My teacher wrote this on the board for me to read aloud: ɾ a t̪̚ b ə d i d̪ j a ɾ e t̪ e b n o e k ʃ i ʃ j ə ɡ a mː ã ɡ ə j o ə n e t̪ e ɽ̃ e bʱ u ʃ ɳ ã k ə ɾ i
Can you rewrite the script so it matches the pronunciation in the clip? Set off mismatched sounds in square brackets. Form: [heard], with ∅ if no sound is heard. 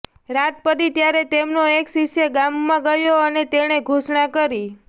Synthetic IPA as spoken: ɾ a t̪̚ [p] ə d i [t̪] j a ɾ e t̪ e [m] n o e k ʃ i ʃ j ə ɡ a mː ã ɡ ə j o ə n e t̪ e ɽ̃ e [ɡʱ] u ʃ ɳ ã k ə ɾ i